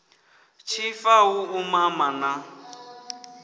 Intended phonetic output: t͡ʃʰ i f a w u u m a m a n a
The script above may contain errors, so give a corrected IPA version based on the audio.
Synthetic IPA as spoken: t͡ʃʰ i f a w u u m a m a n a